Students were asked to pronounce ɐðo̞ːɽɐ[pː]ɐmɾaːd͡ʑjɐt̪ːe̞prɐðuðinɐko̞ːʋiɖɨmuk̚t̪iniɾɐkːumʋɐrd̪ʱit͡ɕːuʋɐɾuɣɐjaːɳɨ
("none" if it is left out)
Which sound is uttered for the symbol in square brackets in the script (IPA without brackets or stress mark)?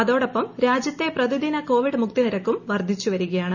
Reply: pː